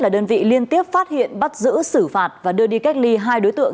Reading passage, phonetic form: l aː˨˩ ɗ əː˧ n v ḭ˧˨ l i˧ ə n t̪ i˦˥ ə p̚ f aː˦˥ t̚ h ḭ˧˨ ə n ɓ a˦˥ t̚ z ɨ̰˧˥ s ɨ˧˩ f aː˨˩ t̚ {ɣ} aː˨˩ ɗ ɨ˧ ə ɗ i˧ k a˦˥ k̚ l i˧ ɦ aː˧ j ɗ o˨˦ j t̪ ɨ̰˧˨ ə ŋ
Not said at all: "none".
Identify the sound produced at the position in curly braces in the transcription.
v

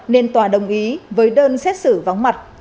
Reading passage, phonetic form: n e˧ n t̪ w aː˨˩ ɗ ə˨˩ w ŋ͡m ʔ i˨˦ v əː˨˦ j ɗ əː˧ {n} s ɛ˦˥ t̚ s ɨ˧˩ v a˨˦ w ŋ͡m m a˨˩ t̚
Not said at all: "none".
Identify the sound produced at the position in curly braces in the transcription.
n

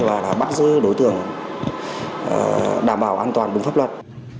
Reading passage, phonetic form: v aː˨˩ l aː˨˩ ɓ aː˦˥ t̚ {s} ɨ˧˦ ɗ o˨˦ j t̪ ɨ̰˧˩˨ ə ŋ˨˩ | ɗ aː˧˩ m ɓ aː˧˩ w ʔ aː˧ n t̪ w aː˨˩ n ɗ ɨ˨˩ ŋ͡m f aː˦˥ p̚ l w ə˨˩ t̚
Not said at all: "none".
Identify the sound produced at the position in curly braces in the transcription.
z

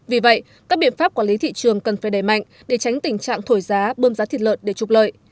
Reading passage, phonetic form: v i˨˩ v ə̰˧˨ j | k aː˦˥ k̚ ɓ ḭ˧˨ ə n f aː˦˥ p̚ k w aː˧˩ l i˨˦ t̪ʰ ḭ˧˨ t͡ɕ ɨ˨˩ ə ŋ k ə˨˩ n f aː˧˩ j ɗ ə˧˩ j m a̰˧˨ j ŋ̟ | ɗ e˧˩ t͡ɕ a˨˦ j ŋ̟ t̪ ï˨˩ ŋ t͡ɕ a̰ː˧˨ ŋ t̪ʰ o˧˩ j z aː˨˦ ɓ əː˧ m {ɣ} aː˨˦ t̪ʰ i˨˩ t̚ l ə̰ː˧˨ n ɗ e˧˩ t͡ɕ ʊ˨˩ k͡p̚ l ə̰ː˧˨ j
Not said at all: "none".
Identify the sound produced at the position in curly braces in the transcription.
z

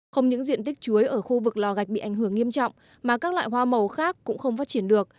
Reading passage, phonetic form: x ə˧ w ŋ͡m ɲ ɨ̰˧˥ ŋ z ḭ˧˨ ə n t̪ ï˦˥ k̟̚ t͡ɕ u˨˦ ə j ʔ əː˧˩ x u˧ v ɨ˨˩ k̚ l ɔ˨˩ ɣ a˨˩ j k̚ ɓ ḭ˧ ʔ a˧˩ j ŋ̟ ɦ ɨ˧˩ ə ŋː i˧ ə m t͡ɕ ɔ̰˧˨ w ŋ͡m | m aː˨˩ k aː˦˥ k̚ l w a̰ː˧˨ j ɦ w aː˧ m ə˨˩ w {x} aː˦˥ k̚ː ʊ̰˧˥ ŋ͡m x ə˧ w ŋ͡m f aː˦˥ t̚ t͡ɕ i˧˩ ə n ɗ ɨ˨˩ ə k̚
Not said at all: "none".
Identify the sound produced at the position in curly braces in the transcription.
x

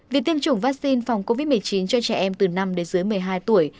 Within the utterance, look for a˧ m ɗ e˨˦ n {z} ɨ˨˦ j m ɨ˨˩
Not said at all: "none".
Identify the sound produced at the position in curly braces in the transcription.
z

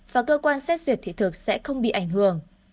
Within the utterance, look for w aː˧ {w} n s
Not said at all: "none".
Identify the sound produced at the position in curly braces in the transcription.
none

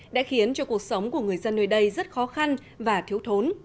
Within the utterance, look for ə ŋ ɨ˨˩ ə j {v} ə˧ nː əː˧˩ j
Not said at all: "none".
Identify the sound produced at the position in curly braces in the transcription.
z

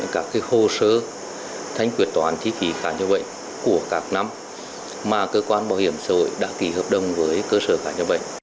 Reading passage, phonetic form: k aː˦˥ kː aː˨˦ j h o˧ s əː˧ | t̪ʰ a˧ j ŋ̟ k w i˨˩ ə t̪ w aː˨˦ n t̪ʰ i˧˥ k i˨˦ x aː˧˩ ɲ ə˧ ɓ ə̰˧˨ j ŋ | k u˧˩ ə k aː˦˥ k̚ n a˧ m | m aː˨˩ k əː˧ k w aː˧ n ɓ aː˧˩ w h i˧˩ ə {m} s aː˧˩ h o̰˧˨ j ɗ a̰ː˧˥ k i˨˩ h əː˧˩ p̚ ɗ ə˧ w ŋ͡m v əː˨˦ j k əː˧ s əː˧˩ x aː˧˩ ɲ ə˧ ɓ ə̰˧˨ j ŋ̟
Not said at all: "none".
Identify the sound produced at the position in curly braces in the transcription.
m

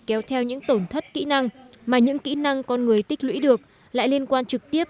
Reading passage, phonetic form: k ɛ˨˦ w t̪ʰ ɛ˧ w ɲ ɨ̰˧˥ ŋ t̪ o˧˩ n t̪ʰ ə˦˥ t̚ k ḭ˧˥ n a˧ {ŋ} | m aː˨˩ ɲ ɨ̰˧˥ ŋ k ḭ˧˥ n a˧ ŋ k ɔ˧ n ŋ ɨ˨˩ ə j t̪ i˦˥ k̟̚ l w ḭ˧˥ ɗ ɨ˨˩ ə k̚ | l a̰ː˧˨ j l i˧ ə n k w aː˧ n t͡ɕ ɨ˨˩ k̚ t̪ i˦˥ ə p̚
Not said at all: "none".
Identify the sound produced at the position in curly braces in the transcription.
ŋ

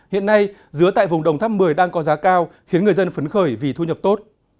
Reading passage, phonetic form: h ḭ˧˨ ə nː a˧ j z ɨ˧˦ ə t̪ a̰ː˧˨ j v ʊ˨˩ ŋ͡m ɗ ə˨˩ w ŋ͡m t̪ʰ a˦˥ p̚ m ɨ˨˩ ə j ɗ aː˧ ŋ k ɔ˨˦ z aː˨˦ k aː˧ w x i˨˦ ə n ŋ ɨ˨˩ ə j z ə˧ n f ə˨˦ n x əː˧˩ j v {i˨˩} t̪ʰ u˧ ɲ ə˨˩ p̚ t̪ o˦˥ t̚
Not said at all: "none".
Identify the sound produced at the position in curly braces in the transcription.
i˨˩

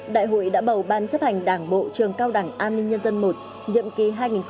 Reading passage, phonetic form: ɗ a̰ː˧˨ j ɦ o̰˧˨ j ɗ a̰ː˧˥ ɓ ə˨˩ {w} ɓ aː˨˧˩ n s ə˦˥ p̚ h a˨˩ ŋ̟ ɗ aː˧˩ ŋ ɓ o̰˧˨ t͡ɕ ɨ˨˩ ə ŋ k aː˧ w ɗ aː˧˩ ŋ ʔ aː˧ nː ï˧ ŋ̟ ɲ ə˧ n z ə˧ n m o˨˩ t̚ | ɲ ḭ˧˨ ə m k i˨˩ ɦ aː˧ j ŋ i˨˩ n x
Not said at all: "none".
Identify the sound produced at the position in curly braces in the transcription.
w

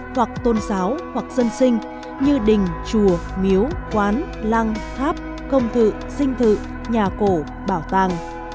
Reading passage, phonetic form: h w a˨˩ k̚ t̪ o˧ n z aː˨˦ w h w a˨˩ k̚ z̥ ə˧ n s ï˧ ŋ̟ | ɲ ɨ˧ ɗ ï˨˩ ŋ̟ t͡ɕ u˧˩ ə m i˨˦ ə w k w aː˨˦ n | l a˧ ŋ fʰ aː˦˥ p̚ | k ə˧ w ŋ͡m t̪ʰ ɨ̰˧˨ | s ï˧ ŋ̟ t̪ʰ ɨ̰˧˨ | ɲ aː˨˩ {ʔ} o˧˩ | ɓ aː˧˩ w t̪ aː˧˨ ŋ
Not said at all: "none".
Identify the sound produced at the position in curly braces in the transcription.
k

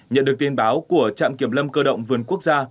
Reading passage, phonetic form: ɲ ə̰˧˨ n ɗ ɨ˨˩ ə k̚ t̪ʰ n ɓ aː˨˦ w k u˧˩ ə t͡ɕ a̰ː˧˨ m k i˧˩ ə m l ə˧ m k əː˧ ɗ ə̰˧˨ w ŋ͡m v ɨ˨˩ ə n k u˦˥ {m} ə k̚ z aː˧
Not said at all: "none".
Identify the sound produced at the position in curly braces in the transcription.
none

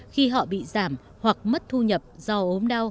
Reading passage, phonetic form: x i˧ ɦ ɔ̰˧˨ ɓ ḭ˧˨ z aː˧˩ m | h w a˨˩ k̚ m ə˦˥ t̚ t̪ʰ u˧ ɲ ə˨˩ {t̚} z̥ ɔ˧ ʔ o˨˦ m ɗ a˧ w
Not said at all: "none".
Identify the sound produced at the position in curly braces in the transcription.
p̚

